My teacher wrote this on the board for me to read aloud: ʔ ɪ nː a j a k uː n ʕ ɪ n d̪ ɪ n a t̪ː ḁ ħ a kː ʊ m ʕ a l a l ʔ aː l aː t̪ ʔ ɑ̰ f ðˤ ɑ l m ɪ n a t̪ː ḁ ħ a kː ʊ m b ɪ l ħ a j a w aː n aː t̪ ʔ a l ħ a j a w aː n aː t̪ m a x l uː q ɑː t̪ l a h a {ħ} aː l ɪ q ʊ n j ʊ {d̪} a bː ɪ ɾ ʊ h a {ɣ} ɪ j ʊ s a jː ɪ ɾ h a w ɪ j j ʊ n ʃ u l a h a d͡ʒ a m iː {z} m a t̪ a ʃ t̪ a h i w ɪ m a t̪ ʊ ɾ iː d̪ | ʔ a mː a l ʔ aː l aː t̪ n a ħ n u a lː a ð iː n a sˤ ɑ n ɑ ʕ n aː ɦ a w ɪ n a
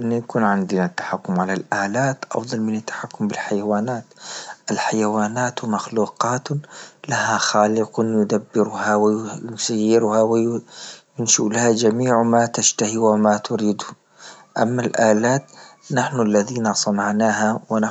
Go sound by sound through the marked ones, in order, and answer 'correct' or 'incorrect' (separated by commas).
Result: incorrect, correct, incorrect, incorrect